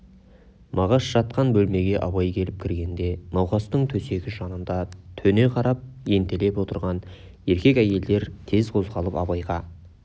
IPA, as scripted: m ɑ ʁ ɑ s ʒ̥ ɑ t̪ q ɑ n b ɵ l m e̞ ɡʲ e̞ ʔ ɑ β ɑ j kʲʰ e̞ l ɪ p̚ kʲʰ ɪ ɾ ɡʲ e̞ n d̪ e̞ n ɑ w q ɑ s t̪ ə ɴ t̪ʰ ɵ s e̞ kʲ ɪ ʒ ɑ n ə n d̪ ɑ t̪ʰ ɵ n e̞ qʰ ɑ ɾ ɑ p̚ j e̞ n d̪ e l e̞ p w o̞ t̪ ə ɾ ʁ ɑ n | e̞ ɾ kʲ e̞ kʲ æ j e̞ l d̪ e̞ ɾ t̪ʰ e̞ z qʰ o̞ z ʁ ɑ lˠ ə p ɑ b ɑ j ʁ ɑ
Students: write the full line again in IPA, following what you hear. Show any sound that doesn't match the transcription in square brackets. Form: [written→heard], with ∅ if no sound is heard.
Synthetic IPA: m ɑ ʁ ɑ s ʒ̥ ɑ t̪ q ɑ n b ɵ l m e̞ ɡʲ e̞ ʔ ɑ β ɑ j kʲʰ e̞ l ɪ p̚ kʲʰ ɪ ɾ ɡʲ e̞ n d̪ e̞ n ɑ w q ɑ s t̪ ə ɴ t̪ʰ ɵ s e̞ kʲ ɪ ʒ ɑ n ə n d̪ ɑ t̪ʰ ɵ n e̞ qʰ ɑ ɾ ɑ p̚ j e̞ n [d̪→t̪] e l e̞ p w o̞ t̪ ə ɾ ʁ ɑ n | e̞ ɾ kʲ e̞ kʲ æ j e̞ l d̪ e̞ ɾ t̪ʰ e̞ z qʰ o̞ z ʁ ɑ lˠ ə p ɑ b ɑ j ʁ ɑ

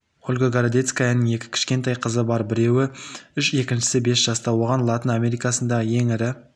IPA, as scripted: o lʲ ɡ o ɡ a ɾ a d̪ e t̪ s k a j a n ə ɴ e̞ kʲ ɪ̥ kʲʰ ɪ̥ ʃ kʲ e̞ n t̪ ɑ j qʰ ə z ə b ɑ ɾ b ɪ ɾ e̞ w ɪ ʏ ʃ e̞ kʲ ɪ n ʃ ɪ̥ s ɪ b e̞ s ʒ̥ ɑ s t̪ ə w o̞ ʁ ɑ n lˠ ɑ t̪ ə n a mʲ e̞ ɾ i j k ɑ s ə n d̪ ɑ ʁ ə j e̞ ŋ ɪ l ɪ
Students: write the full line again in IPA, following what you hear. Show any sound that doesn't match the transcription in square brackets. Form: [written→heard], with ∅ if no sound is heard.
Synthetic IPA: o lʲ ɡ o ɡ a ɾ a d̪ e t̪ s k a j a n ə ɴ e̞ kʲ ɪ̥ kʲʰ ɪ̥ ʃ kʲ e̞ n t̪ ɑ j qʰ ə z ə b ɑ ɾ b ɪ ɾ e̞ w ɪ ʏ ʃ e̞ kʲ ɪ n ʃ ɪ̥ s ɪ b e̞ s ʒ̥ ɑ s t̪ [ə→ɑ] w o̞ ʁ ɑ n lˠ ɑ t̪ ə n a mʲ e̞ ɾ i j k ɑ s ə n d̪ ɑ ʁ ə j e̞ ŋ ɪ [l→ɾ] ɪ

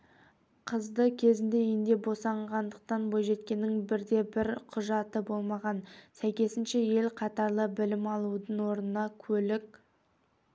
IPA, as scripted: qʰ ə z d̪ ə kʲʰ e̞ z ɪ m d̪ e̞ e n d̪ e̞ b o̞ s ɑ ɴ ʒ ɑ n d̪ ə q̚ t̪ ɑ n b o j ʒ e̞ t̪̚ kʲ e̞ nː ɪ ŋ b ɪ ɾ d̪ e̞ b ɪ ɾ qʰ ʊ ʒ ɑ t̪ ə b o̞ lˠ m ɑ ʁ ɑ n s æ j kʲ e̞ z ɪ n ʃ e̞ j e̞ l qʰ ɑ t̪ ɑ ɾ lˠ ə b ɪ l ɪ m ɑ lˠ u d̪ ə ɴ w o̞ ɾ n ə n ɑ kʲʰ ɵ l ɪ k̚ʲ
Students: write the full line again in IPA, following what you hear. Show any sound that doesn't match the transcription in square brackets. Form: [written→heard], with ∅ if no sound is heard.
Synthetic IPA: qʰ ə z d̪ ə kʲʰ e̞ z ɪ [m→n] d̪ e̞ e n d̪ e̞ b o̞ s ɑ ɴ [ʒ→ʁ] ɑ n d̪ ə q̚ t̪ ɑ n b o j ʒ e̞ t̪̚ kʲ e̞ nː ɪ ŋ b ɪ ɾ d̪ e̞ b ɪ ɾ qʰ ʊ ʒ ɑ t̪ ə b o̞ lˠ m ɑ ʁ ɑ n s æ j kʲ e̞ [z→s] ɪ n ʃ e̞ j e̞ l qʰ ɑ t̪ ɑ ɾ lˠ ə b ɪ l ɪ m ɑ lˠ u d̪ ə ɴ w o̞ ɾ n ə n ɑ kʲʰ ɵ l ɪ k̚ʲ

